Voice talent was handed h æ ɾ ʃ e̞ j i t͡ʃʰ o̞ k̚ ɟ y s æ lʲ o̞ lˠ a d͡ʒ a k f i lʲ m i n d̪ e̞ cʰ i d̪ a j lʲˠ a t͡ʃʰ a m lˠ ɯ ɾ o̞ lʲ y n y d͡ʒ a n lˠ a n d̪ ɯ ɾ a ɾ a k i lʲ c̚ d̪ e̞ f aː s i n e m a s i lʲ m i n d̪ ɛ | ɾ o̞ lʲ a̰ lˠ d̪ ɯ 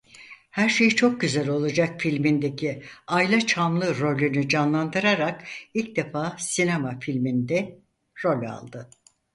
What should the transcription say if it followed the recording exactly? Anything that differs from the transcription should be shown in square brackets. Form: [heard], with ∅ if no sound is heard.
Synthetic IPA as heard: h æ ɾ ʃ e̞ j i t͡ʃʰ o̞ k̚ ɟ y [z] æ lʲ o̞ lˠ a d͡ʒ a k f i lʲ m i n d̪ e̞ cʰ i [∅] a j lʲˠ a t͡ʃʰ a m lˠ ɯ ɾ o̞ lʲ y n y d͡ʒ a n lˠ a n d̪ ɯ ɾ a ɾ a k i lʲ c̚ d̪ e̞ f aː s i n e m a [f] i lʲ m i n d̪ ɛ | ɾ o̞ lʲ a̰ lˠ d̪ ɯ